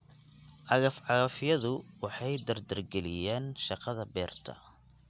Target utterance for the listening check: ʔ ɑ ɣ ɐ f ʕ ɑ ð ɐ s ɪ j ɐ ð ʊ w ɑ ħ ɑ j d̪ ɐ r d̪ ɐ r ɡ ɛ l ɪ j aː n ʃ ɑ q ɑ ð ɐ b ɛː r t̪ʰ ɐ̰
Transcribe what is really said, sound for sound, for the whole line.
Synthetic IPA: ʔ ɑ ɣ ɐ f ʕ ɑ ɣ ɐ f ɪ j ɐ ð ʊ w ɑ ħ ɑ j d̪ ɐ r d̪ ɐ r ɡ ɛ l ɪ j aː n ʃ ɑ q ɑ ð ɐ b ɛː r t̪ʰ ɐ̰